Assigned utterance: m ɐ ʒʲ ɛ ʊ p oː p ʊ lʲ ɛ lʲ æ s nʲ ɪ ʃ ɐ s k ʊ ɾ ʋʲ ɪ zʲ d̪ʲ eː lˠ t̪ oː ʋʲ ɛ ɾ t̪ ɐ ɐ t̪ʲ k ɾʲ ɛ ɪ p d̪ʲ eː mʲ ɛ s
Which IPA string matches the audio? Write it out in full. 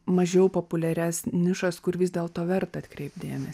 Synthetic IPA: m ɐ ʒʲ ɛ ʊ p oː p ʊ lʲ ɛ ɾʲ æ s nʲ ɪ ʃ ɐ s k ʊ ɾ ʋʲ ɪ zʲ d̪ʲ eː lˠ t̪ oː ʋʲ ɛ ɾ t̪ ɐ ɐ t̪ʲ k ɾʲ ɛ ɪ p d̪ʲ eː mʲ ɛ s